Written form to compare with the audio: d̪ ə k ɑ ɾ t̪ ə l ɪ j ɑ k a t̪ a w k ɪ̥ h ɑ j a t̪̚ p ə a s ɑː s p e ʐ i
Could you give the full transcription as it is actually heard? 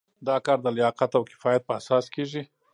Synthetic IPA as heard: d̪ ɑ k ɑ ɾ d̪ ə l ɪ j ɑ q a t̪ a w k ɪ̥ f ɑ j a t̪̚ p ə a s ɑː s k e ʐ i

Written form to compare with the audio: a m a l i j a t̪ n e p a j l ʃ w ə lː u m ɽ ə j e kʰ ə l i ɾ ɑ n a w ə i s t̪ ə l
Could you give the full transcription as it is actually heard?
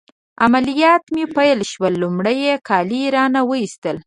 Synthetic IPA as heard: a m a l i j ɑ t̪ m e p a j l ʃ w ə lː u m ɽ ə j e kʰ ɑ l i ɾ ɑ n a w ə i s t̪ ə l

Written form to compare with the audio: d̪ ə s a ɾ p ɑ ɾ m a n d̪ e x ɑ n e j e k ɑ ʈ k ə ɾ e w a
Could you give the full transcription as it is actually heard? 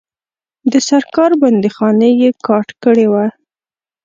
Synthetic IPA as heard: d̪ ə s a ɾ k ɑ ɾ b a n d̪ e x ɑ n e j e k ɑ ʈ k ə ɽ e w a

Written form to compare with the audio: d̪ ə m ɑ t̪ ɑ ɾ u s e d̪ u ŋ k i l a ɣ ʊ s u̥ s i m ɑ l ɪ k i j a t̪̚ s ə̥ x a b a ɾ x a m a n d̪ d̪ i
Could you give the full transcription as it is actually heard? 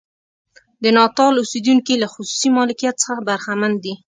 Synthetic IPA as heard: d̪ ə n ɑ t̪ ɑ l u s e d̪ u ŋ k i l a x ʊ s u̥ s i m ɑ l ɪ k i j a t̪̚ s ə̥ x a b a ɾ x a m a n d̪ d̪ i

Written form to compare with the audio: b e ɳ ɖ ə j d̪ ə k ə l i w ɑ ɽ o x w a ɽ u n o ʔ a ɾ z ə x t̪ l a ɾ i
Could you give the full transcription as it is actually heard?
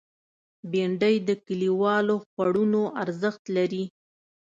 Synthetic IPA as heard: b e ɳ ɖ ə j d̪ ə k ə l i w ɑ l o x w a ɽ u n o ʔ a ɾ z ə x t̪ l a ɾ i

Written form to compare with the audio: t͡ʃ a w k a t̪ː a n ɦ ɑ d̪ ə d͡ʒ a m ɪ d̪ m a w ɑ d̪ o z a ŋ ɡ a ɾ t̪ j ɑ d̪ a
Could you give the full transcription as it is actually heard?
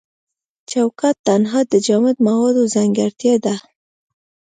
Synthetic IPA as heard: t͡ʃ a w k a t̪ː a n ɦ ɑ d̪ ə d͡ʒ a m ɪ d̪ m a w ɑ d̪ o z a ŋ ɡ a ɾ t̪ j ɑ d̪ a

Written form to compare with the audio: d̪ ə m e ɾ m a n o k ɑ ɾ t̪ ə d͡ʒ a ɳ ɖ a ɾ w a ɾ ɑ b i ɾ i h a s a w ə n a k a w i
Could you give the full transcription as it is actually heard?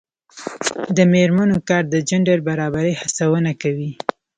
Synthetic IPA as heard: d̪ ə m e ɾ m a n o k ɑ ɾ d̪ ə d͡ʒ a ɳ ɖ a ɾ b a ɾ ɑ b a ɾ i h a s a w ə n a k a w i

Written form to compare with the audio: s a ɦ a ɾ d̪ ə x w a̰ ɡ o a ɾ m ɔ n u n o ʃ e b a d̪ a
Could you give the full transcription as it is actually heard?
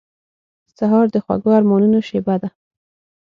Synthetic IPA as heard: s a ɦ ɑ ɾ d̪ ə x w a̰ ɡ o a ɾ m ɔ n u n o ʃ e b a d̪ a

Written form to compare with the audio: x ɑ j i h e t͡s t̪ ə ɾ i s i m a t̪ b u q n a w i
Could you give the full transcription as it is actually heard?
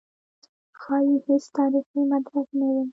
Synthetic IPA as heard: x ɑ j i h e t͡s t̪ ɑ ɾ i x i m a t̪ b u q n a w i

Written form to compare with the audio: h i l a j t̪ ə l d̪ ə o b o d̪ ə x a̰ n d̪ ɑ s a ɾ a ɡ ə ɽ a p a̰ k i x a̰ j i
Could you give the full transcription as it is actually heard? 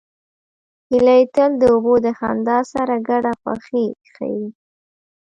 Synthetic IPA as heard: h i l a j t̪ ə l d̪ ə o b o d̪ ə x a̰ n d̪ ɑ s a ɾ a ɡ a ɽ a p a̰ x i x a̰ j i

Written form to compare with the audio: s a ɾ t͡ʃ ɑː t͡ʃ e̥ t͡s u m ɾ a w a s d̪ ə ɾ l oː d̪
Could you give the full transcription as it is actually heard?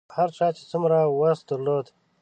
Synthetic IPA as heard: h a ɾ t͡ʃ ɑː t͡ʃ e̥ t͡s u m ɾ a w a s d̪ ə ɾ l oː d̪

